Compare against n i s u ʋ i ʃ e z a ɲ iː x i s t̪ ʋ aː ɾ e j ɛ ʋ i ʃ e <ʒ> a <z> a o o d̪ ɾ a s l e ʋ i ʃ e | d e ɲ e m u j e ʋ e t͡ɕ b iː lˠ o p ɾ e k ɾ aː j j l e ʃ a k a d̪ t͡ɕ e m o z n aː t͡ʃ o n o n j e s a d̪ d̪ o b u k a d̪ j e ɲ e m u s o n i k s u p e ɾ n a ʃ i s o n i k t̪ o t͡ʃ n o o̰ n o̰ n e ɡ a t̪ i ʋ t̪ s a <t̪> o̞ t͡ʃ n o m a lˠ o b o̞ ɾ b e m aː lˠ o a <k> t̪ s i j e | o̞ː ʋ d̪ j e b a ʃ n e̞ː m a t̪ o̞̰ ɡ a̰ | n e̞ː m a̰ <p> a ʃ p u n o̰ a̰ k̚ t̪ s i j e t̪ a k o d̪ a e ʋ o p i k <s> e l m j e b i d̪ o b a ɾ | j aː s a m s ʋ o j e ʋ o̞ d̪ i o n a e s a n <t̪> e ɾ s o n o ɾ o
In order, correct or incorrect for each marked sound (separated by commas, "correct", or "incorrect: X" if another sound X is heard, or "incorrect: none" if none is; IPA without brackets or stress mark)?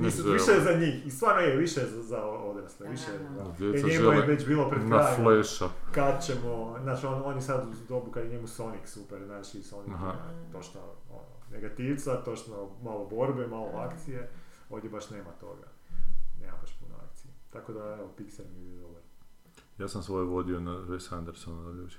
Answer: incorrect: z, correct, correct, correct, incorrect: b, correct, incorrect: d̪